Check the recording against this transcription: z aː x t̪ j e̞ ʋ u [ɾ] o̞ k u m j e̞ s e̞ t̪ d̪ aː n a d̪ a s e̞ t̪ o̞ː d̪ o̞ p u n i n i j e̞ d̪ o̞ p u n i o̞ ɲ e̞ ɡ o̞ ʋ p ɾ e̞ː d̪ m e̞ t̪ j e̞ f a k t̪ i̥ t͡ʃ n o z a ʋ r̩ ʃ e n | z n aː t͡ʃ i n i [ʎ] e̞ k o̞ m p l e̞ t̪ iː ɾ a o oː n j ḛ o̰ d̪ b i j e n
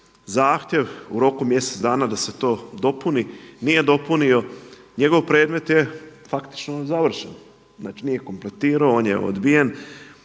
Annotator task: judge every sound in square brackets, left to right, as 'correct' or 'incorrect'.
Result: correct, incorrect

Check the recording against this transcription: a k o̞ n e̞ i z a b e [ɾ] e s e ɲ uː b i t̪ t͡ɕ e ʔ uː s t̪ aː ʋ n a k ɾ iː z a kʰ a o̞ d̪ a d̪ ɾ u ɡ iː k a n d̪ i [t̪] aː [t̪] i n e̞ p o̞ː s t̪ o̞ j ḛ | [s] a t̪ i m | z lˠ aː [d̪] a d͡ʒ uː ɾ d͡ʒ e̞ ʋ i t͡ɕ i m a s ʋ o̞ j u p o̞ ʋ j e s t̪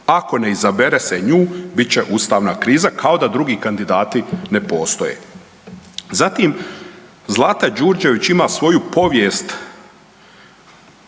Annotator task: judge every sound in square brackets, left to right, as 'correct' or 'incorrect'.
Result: correct, incorrect, correct, incorrect, incorrect

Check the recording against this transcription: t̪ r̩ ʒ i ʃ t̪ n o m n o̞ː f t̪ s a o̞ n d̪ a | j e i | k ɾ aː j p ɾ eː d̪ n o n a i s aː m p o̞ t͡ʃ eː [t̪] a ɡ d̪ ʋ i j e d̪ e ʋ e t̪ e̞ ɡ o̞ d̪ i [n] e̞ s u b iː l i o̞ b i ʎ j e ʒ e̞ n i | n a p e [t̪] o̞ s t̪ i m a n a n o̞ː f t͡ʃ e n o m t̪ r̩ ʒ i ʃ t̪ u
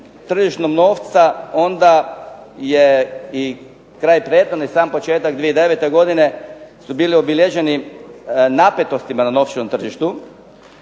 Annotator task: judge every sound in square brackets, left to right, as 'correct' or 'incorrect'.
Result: correct, correct, correct

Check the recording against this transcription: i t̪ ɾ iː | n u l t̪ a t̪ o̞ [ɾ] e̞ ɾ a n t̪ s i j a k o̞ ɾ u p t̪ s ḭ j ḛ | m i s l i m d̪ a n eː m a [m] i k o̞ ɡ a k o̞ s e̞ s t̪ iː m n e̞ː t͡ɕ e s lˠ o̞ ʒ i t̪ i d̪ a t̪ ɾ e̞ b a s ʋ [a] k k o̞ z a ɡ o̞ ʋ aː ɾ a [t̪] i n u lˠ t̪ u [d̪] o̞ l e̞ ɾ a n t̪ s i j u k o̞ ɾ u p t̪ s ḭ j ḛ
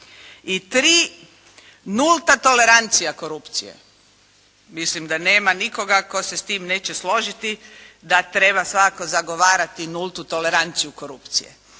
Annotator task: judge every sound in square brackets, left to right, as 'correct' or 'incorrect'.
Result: incorrect, incorrect, correct, correct, incorrect

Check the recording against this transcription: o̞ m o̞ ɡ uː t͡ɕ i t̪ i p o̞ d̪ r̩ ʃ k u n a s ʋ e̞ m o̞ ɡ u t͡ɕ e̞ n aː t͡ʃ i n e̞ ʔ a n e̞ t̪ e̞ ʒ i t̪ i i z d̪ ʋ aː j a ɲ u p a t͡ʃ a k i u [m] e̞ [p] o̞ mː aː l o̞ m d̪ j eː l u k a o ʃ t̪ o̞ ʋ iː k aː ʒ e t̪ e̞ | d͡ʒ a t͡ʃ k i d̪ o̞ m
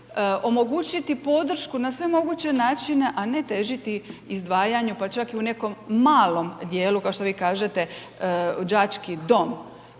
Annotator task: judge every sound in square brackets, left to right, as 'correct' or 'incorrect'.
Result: incorrect, incorrect

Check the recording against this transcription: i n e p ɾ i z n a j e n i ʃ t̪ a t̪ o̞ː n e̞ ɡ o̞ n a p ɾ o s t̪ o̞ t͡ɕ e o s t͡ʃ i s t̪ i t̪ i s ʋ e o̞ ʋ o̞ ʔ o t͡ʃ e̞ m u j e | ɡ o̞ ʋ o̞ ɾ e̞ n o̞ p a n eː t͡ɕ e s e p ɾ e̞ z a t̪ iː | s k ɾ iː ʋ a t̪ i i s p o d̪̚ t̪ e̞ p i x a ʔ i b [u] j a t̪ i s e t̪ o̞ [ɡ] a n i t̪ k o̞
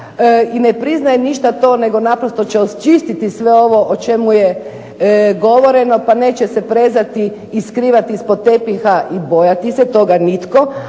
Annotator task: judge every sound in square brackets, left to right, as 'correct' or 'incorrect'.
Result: incorrect, correct

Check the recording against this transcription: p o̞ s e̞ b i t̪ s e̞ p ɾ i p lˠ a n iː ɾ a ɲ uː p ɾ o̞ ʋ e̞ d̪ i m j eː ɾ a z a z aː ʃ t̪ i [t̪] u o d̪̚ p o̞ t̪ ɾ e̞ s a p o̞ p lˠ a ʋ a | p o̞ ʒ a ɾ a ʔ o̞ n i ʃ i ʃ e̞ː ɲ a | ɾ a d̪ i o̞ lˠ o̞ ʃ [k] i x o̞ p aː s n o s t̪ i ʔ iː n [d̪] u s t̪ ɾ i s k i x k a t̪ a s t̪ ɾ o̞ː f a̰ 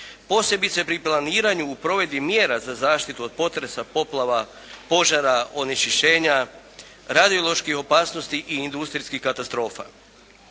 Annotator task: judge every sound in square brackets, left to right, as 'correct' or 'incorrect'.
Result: correct, correct, correct

